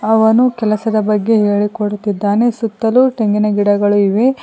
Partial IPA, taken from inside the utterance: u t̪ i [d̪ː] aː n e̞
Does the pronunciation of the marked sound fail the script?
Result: no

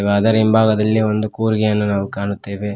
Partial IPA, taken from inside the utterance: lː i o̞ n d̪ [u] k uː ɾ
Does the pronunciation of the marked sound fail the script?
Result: no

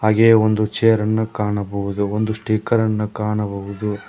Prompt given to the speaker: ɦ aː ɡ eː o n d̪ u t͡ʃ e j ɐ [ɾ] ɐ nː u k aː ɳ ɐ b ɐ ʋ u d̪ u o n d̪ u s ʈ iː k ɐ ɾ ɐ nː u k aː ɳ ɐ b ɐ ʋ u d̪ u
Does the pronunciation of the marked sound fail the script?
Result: no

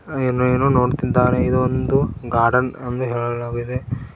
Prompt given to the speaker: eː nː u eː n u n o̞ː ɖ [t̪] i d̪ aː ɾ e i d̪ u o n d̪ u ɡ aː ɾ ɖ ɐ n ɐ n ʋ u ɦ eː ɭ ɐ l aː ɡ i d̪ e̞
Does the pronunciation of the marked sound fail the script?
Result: no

